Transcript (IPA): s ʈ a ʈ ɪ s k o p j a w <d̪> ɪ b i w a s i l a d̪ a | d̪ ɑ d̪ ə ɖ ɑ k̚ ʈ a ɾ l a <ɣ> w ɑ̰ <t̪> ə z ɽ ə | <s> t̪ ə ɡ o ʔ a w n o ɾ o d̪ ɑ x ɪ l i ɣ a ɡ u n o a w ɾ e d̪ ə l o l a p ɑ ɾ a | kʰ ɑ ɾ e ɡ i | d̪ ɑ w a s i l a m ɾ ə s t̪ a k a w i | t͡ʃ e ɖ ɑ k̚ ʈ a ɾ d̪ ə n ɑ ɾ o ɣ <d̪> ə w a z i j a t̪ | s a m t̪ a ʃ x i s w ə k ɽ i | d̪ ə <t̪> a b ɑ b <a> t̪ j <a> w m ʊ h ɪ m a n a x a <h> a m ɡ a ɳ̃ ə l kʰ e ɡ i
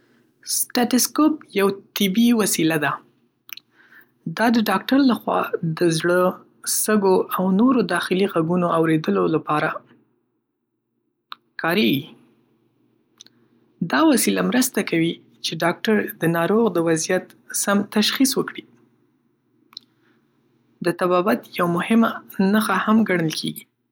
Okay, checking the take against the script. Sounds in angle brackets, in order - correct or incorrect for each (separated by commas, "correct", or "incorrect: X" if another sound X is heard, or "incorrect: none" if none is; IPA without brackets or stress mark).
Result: incorrect: t̪, incorrect: x, incorrect: d̪, correct, correct, correct, correct, correct, correct